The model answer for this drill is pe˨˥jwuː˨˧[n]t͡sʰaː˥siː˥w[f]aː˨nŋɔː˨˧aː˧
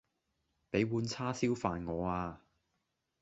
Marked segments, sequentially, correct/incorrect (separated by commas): correct, correct